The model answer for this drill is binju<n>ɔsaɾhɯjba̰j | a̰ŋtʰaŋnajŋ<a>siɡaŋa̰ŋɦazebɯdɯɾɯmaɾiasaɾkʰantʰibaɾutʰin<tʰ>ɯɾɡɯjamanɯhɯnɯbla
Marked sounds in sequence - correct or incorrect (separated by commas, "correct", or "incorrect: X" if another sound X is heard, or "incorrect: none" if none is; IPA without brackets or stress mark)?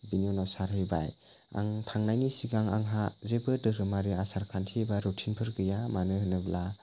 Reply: correct, incorrect: i, incorrect: pʰ